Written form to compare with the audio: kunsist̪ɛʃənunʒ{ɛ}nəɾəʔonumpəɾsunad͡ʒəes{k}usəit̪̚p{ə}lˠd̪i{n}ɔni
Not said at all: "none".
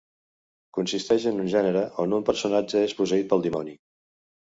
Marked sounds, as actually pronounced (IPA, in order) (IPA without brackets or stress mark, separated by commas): ɛ, p, ə, m